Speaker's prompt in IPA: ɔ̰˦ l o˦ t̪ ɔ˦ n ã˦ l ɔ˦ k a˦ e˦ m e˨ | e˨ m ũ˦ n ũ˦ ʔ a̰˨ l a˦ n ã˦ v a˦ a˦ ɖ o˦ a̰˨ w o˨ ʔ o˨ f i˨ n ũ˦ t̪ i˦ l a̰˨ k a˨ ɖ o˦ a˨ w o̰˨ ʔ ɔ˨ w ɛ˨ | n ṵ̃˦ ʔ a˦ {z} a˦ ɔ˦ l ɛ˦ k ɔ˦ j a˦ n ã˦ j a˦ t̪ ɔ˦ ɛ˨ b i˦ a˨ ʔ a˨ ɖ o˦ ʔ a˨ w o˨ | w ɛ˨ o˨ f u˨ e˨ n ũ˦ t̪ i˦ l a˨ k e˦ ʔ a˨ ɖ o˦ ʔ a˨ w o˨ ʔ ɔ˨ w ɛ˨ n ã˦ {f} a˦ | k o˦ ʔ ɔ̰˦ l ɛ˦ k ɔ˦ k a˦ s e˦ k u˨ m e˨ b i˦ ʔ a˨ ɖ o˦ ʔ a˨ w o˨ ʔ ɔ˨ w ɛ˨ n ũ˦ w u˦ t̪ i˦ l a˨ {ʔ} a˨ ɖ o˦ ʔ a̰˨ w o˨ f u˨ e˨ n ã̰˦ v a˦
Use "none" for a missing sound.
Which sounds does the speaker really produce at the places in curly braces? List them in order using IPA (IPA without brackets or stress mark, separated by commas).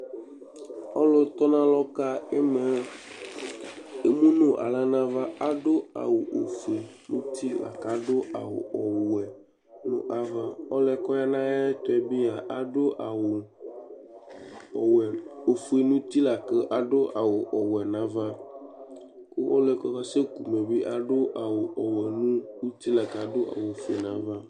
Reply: v, v, k